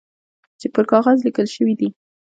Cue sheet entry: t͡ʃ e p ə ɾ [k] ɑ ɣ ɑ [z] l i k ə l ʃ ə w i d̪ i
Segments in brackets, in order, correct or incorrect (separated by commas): correct, correct